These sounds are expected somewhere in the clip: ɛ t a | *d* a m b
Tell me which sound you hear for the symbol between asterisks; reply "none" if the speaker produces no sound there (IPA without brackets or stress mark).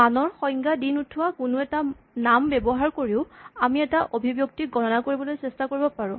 n